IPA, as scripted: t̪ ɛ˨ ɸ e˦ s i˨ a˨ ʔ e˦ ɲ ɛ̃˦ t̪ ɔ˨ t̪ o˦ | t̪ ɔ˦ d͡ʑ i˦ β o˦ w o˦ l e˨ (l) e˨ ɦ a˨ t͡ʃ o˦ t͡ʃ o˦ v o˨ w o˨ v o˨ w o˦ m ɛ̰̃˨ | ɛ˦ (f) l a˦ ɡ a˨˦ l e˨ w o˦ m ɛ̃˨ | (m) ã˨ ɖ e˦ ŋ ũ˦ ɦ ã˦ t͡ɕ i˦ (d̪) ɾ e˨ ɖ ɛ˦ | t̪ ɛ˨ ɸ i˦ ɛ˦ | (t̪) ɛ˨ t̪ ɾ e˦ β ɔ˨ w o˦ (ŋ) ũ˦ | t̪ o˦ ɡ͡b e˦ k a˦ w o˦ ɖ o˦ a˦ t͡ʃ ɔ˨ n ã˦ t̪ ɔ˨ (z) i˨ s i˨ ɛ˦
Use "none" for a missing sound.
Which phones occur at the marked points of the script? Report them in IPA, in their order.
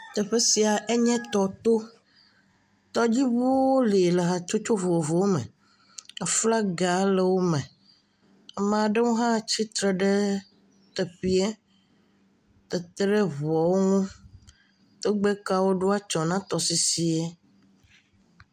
l, f, m, t̪, t̪, ŋ, s

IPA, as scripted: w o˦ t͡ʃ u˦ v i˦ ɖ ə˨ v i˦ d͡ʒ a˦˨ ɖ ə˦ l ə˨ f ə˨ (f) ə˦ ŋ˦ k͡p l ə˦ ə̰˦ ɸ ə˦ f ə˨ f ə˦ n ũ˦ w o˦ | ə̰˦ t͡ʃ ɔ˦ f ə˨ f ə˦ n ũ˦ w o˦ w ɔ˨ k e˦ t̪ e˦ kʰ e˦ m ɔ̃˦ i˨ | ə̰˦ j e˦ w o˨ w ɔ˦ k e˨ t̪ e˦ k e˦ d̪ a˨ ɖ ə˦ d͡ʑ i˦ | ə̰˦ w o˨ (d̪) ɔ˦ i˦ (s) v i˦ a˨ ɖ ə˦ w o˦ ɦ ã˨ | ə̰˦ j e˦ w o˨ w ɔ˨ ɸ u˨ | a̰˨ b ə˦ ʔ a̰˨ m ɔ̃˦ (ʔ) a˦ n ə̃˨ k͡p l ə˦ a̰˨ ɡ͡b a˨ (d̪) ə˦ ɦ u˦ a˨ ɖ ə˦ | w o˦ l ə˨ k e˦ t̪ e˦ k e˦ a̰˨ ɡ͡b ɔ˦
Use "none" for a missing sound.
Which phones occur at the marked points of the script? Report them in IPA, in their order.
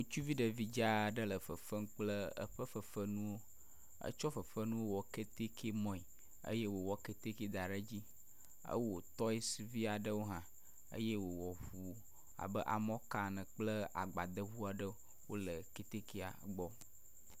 f, t̪, s, k, d̪

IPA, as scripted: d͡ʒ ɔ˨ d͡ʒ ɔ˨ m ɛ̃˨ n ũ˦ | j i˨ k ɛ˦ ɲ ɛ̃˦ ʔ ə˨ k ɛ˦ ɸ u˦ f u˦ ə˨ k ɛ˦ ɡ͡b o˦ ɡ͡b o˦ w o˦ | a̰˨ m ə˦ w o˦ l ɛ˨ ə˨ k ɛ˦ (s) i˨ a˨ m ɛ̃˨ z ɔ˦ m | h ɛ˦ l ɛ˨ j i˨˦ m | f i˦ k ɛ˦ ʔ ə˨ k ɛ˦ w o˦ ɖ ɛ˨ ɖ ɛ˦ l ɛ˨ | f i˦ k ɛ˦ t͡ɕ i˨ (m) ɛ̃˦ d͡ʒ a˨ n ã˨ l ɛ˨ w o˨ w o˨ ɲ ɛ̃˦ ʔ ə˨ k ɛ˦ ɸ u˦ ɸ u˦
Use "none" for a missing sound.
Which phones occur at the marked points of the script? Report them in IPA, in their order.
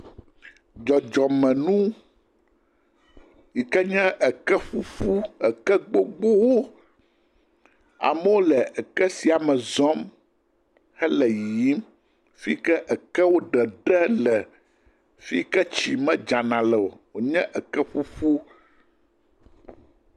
s, m

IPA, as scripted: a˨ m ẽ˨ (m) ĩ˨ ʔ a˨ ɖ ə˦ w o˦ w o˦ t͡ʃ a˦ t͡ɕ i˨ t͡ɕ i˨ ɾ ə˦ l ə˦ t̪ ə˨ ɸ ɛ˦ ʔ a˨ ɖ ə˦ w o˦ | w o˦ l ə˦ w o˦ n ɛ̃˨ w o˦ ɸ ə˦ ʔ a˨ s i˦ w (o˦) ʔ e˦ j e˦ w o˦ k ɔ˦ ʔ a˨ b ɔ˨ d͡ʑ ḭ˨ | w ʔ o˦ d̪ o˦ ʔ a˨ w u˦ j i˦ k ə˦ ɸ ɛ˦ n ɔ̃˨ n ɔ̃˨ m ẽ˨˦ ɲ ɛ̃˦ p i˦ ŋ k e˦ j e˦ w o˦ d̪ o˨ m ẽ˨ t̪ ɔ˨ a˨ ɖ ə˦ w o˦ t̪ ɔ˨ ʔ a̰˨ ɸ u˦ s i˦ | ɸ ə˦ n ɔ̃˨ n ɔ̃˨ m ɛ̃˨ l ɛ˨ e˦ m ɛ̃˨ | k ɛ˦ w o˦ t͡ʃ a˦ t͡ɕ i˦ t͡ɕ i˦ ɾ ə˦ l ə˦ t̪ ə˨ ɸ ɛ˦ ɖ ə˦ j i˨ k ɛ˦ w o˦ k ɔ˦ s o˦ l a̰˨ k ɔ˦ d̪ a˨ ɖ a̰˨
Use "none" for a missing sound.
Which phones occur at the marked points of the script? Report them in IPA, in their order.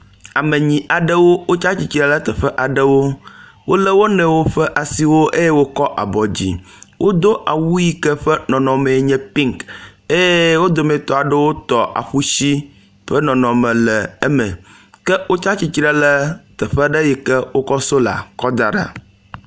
ɲ, o˦

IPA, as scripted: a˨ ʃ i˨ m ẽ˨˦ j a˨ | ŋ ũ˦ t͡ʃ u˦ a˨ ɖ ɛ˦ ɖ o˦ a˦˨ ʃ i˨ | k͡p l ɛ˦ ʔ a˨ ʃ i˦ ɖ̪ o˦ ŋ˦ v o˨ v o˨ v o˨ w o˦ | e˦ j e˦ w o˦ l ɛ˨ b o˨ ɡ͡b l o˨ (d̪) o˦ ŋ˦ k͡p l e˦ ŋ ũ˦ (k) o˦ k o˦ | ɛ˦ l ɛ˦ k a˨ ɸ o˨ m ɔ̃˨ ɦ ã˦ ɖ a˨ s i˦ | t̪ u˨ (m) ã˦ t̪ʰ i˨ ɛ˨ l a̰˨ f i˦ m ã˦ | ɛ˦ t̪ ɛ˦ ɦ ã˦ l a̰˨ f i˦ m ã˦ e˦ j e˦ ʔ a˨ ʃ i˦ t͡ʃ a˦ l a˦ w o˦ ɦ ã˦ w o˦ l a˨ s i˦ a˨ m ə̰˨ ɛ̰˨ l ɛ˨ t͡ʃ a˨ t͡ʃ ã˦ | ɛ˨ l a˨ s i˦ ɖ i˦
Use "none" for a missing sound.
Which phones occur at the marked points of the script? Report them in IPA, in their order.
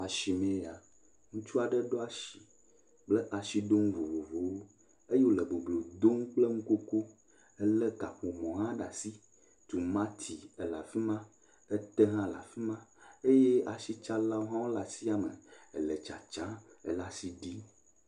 d̪, k, m

